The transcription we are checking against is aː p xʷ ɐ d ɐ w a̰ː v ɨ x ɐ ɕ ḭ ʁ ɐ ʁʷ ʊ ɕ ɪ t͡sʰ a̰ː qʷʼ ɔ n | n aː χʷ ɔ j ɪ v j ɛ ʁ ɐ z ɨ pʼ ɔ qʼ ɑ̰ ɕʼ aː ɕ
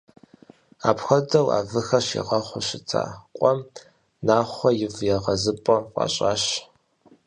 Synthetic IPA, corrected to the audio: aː p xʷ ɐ d ɐ w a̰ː v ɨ x ɐ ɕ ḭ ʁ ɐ χʷ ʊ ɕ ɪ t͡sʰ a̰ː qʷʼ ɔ m | n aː χʷ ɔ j ɪ v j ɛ ʁ ɐ z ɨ pʼ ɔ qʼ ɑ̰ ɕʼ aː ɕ